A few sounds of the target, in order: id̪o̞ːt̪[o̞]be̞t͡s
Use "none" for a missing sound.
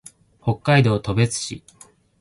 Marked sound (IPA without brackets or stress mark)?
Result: o̞